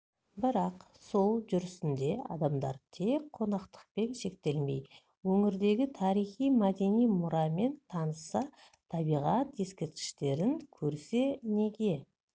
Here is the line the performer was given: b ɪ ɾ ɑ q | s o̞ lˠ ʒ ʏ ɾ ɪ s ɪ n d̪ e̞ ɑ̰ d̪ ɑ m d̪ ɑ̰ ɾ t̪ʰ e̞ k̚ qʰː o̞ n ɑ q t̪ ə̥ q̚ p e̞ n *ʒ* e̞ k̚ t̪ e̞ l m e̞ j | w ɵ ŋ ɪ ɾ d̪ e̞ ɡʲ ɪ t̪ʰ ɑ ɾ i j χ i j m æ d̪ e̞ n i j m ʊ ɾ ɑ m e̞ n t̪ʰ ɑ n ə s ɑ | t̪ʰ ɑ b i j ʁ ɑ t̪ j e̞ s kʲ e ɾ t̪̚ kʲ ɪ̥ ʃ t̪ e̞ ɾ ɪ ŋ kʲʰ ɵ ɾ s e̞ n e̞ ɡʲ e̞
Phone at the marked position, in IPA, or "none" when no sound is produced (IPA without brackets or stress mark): ʃ